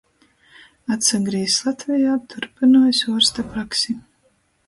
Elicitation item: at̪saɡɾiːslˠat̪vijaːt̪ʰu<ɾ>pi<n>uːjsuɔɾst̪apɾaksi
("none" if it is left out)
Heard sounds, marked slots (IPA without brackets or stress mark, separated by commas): ɾ, n